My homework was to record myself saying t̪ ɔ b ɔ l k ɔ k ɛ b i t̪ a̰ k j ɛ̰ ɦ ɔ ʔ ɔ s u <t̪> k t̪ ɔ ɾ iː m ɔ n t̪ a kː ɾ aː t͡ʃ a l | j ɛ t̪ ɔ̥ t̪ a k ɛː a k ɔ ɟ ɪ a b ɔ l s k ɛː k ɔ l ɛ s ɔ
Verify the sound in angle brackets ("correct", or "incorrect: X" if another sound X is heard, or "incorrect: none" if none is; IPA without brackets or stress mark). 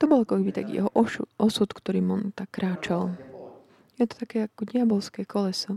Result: correct